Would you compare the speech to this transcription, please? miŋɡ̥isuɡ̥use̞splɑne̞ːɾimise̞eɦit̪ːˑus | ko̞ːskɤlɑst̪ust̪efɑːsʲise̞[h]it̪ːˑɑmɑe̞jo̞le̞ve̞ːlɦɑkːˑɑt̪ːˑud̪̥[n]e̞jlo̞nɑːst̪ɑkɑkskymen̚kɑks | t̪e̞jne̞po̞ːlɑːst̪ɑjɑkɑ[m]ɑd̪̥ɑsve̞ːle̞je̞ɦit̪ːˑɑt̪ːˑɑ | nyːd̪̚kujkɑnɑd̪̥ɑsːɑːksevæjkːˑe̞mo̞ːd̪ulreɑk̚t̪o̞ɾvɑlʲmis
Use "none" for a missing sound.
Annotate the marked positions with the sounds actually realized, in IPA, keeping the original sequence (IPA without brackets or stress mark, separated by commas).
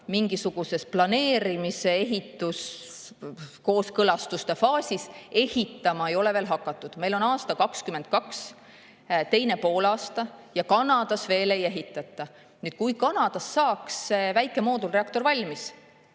h, m, n